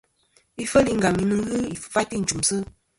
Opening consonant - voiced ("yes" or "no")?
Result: no